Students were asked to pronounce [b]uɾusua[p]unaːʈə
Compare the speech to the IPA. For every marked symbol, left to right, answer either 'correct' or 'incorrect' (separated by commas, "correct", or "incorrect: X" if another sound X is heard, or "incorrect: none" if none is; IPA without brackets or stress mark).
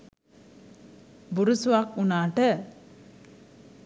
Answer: correct, incorrect: k